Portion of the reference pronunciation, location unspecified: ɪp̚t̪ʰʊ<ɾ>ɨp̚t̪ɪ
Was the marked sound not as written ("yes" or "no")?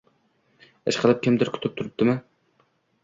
no